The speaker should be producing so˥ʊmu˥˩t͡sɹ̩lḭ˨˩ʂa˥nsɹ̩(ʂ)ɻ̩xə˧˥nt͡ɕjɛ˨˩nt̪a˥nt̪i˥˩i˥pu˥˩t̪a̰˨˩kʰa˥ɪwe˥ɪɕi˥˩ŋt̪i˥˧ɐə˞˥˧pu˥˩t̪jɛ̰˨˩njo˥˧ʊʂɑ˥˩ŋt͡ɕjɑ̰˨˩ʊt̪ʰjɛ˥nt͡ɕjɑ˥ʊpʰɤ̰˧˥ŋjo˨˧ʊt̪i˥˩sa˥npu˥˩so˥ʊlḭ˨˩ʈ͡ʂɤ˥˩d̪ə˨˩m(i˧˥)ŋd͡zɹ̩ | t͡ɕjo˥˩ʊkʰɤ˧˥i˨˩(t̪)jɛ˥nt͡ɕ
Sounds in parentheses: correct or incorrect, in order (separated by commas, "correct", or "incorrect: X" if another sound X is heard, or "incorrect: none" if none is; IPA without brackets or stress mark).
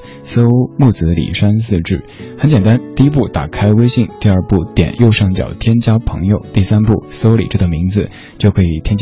incorrect: ʈ͡ʂ, correct, incorrect: t̪ʰ